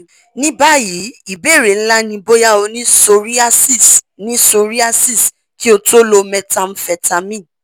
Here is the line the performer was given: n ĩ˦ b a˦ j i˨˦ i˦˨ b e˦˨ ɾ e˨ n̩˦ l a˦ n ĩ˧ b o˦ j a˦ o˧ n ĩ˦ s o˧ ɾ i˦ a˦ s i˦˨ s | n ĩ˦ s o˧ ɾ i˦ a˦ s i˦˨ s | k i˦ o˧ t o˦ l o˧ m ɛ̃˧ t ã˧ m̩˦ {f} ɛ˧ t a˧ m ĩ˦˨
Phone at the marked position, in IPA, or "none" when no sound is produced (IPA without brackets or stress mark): f